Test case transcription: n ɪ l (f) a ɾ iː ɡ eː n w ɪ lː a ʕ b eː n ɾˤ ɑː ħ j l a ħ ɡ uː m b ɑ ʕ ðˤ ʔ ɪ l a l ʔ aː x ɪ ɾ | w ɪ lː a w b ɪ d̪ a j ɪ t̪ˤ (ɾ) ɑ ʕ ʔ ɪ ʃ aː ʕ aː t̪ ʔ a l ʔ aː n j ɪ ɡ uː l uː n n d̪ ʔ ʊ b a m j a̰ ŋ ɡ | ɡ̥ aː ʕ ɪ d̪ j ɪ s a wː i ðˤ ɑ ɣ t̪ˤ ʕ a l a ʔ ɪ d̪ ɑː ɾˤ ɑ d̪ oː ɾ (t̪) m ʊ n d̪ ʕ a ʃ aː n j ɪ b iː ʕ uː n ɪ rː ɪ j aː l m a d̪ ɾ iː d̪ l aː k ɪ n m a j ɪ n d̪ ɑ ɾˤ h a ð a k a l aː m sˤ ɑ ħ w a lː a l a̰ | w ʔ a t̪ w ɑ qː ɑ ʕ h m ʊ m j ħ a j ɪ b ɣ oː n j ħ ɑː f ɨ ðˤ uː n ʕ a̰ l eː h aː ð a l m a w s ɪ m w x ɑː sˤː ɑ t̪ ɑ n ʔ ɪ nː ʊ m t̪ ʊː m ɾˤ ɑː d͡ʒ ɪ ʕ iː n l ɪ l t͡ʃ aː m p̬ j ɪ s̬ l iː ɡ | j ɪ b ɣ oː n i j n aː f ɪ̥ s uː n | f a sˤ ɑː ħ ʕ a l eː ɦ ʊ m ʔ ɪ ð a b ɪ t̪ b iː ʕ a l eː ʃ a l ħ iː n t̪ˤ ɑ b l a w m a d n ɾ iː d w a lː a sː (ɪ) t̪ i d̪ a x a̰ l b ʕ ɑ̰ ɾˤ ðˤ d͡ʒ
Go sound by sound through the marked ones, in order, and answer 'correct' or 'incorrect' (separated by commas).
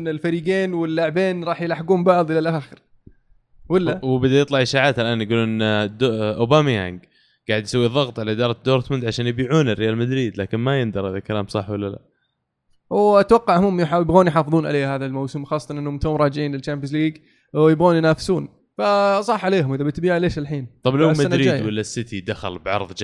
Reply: correct, incorrect, correct, correct